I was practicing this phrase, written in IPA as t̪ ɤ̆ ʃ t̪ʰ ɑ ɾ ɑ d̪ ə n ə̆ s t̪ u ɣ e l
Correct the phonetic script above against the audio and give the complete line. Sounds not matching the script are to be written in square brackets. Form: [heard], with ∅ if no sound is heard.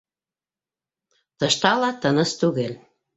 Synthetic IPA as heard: t̪ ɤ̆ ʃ [t̪] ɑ [l] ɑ [t̪] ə n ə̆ s t̪ u ɣ e l